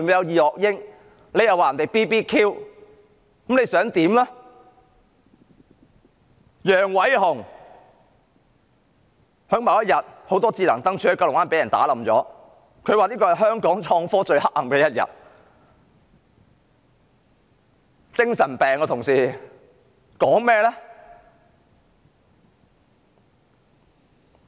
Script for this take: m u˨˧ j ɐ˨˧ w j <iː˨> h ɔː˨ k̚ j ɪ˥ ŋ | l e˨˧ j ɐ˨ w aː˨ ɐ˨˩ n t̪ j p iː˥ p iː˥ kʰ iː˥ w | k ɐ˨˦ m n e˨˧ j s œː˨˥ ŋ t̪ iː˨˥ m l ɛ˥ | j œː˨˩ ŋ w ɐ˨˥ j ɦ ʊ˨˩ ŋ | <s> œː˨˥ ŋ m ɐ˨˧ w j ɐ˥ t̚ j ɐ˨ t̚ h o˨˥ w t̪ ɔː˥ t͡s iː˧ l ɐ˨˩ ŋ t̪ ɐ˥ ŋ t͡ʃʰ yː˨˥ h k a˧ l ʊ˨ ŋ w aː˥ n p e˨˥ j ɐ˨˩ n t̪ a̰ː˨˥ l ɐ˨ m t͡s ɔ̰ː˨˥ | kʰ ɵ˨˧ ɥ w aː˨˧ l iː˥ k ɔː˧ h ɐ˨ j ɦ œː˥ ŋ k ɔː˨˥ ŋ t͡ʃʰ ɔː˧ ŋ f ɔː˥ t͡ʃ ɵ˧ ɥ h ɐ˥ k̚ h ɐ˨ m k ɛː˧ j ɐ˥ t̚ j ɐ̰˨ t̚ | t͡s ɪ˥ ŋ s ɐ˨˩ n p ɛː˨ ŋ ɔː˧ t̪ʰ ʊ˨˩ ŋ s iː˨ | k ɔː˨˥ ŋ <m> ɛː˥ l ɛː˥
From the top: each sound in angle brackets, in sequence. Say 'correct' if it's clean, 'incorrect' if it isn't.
correct, incorrect: h, correct

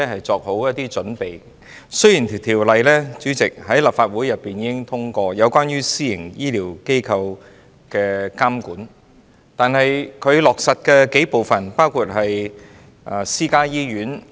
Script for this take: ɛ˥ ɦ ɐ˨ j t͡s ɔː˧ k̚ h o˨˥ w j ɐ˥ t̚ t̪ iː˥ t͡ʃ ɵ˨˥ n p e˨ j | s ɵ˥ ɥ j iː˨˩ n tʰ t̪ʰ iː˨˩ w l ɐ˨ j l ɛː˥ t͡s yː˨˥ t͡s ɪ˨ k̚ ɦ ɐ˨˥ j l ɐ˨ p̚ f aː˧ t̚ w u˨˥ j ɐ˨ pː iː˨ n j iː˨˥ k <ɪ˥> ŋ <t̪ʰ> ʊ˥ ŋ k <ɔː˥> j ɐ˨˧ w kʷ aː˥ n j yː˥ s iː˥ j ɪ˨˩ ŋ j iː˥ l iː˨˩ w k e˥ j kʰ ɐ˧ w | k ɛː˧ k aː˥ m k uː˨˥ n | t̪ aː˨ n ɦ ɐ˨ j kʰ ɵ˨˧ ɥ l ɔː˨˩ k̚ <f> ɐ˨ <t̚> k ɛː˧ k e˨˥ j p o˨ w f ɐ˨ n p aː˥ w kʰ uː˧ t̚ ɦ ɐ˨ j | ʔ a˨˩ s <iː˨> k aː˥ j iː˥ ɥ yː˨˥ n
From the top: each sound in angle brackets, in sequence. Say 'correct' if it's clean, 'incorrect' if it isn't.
correct, correct, incorrect: ɔː˧, incorrect: s, correct, incorrect: iː˥

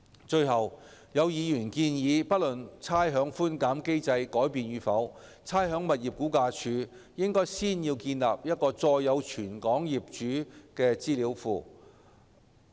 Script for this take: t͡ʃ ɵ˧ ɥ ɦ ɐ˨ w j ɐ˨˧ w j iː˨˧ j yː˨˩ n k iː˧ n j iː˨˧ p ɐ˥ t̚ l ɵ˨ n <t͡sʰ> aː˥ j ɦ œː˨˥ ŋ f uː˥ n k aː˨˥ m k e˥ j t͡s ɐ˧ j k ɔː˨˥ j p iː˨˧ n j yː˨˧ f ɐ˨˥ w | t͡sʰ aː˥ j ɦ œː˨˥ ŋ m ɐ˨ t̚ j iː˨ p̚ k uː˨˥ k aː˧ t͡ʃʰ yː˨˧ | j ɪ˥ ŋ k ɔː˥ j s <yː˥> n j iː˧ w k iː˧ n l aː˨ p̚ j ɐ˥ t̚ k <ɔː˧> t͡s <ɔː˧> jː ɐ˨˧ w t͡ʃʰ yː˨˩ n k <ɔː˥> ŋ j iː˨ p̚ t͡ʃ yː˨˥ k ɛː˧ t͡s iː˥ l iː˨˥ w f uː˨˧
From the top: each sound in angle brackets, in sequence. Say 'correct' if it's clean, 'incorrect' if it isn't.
correct, incorrect: iː˥, correct, correct, incorrect: ɔː˨˥

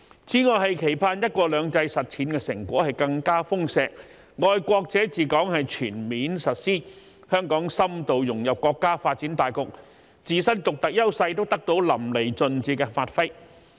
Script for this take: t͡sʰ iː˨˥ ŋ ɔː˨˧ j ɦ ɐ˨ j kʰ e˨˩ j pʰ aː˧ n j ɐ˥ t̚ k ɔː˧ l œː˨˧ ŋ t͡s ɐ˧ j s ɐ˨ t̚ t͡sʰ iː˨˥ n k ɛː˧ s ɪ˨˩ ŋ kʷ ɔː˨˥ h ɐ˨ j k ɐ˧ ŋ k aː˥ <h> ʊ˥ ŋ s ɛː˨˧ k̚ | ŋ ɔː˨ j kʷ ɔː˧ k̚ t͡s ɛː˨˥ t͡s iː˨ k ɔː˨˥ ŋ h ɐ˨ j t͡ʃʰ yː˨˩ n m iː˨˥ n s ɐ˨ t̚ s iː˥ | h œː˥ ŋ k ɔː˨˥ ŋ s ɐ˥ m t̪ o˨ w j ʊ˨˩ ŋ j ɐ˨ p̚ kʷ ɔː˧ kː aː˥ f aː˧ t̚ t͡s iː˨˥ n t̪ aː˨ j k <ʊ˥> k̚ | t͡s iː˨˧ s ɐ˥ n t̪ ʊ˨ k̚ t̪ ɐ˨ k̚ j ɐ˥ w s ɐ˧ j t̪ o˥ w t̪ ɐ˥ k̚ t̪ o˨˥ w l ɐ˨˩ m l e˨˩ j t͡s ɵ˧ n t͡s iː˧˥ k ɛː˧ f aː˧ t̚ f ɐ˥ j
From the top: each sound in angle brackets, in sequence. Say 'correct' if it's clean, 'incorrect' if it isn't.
incorrect: f, incorrect: ʊ˨

